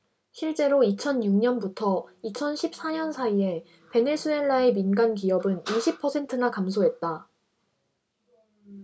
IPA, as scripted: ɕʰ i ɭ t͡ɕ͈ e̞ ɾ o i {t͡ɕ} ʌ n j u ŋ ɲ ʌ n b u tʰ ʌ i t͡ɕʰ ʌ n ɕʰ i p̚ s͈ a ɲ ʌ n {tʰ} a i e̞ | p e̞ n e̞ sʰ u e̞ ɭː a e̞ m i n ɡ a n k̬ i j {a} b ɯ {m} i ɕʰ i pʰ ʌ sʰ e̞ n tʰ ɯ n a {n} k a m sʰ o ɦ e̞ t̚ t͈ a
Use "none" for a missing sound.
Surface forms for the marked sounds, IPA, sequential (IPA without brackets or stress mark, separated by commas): t͡ɕʰ, sʰ, ʌ, n, none